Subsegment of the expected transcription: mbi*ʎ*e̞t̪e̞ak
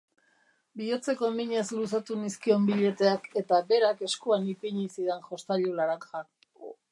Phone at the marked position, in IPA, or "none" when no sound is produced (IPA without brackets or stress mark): ʎ